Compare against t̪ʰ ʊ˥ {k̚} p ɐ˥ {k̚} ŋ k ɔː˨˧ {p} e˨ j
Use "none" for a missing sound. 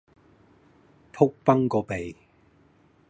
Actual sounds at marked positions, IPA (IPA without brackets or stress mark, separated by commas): k̚, none, p